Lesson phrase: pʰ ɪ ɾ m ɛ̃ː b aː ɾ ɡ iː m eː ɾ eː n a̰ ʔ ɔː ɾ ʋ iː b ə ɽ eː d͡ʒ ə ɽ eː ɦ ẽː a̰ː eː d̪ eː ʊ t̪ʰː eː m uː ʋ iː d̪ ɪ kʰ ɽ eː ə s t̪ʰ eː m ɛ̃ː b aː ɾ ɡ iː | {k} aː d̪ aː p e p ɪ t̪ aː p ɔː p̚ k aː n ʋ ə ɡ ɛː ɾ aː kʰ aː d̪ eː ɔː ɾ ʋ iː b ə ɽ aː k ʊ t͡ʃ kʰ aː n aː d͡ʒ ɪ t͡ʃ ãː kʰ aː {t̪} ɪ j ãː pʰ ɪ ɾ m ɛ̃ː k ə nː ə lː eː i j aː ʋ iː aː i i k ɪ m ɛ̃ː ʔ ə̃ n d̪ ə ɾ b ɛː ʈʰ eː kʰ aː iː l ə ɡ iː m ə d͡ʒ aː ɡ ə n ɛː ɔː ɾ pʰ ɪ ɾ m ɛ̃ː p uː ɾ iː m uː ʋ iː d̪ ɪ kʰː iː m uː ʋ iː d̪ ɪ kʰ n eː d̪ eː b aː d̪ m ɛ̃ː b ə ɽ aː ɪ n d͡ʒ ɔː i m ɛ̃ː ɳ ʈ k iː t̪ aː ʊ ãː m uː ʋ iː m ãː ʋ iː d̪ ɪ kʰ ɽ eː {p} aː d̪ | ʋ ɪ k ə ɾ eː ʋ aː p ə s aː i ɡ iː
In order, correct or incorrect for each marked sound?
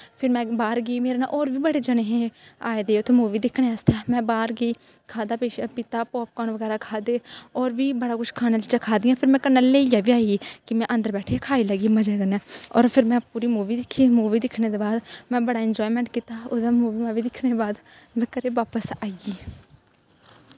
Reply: incorrect: kʰ, incorrect: d̪, incorrect: b

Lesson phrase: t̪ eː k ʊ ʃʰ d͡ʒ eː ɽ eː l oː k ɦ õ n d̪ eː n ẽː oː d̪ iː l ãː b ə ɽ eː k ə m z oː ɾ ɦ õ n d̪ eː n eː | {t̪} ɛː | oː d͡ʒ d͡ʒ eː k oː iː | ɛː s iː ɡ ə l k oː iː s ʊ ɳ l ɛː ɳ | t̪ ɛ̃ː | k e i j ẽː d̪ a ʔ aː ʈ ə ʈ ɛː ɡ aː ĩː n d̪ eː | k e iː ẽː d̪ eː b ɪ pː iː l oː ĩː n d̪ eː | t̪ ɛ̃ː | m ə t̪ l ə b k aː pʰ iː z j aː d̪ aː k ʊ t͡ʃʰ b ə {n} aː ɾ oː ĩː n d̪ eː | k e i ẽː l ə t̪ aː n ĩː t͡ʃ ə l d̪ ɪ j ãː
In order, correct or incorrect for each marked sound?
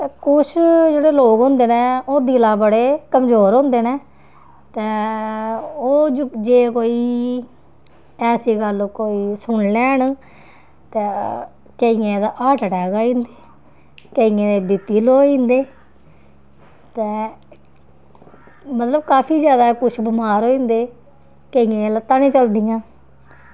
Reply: correct, incorrect: m

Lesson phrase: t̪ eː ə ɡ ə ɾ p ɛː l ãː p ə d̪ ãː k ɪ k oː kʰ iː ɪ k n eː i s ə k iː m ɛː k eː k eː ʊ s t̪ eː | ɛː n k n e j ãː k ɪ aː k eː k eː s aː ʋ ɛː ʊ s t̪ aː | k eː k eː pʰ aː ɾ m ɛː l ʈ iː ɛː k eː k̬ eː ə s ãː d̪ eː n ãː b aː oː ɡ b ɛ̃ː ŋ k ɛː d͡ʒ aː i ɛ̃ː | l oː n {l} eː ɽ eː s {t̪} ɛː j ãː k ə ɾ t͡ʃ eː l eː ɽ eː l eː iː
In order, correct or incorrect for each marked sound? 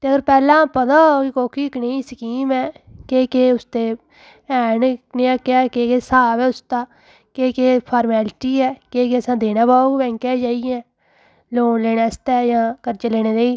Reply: correct, correct

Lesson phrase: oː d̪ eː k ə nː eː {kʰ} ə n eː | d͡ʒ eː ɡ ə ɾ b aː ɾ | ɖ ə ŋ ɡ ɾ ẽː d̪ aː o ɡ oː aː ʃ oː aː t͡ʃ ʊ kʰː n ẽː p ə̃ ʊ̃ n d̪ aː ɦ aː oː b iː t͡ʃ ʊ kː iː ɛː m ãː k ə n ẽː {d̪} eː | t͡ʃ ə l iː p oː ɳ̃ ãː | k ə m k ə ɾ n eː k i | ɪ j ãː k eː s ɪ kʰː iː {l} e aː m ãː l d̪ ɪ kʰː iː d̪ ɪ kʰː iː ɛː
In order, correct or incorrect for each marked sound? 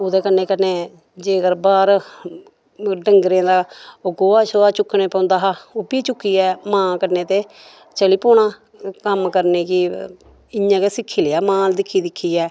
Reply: incorrect: k, incorrect: t̪, correct

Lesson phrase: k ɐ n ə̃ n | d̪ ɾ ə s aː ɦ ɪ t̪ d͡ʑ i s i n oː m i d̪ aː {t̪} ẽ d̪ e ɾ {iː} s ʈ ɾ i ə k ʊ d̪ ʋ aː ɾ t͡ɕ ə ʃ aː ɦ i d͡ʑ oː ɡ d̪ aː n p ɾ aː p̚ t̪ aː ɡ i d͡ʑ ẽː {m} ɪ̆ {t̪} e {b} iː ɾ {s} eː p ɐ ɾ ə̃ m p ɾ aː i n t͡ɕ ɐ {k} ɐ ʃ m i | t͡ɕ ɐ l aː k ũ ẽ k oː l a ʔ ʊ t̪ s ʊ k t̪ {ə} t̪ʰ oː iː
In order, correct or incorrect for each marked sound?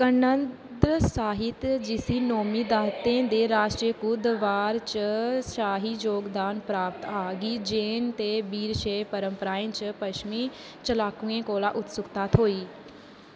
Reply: correct, incorrect: aː, incorrect: n, correct, correct, incorrect: ʃ, incorrect: p, incorrect: a

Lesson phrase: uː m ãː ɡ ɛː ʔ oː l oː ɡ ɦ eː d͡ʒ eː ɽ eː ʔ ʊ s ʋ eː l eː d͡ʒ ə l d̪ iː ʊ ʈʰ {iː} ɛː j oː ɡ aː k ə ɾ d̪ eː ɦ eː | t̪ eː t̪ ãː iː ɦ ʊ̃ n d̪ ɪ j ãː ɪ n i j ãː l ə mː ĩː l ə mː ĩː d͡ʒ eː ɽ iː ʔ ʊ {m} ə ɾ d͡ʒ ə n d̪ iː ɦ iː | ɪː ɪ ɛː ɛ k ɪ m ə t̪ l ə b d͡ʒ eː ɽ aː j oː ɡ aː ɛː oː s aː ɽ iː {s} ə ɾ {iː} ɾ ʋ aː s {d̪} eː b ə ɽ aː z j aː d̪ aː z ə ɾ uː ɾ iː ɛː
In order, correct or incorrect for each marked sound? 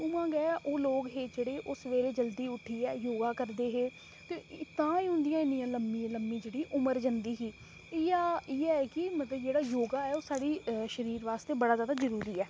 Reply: correct, correct, incorrect: ʃ, correct, incorrect: t̪

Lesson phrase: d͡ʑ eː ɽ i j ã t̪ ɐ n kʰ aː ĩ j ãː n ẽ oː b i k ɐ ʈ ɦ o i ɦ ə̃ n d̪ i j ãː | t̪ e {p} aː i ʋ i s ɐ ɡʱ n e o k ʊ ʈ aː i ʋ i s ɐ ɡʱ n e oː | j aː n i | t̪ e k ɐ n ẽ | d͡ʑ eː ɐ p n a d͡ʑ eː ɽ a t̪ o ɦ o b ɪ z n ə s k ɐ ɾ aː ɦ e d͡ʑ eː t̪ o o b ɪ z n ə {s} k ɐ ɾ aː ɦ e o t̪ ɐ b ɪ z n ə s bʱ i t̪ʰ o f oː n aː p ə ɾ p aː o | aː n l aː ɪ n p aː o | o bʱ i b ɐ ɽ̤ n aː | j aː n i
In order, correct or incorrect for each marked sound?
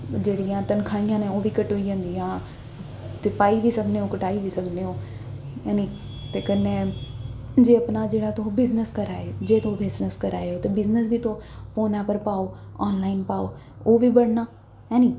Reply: correct, correct

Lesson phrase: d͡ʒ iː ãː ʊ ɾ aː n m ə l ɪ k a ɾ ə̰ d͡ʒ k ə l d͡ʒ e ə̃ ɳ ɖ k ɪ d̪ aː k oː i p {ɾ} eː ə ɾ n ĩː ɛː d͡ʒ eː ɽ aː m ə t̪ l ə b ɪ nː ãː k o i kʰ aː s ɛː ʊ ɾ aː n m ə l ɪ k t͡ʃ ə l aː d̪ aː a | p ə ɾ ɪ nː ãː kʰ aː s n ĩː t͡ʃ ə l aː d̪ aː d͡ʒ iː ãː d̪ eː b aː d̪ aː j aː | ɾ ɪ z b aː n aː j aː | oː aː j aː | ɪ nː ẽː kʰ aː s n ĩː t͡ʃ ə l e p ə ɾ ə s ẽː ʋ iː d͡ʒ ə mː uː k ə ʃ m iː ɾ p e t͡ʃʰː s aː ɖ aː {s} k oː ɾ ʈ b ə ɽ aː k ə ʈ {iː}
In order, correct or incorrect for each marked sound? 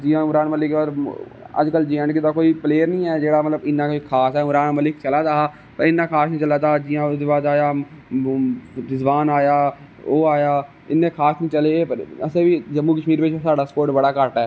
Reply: incorrect: l, correct, incorrect: ɛː

